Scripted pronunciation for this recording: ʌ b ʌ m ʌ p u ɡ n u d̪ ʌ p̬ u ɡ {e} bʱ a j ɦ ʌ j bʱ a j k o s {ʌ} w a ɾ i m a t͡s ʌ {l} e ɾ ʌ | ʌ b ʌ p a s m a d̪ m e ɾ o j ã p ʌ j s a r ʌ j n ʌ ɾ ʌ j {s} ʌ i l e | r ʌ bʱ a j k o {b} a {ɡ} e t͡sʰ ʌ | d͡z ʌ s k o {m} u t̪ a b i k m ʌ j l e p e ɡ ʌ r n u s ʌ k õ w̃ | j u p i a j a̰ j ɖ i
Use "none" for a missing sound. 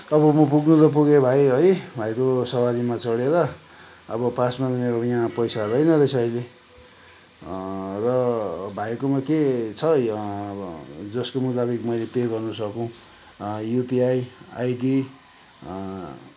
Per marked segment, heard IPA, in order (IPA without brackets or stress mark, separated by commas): e, ʌ, ɽ, s, m, k, m